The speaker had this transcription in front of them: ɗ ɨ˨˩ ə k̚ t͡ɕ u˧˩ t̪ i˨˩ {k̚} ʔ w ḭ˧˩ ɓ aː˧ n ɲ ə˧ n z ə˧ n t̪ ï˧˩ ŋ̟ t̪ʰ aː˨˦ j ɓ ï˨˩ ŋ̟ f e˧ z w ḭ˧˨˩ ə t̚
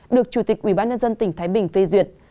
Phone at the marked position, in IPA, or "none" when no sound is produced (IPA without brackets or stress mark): k̚